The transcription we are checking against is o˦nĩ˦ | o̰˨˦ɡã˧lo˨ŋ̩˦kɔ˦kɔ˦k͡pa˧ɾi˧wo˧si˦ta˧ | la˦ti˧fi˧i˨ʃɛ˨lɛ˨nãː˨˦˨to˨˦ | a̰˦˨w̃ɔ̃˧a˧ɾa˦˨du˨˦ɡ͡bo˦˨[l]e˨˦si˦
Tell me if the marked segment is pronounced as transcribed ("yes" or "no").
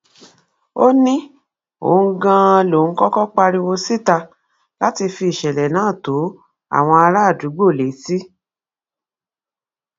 yes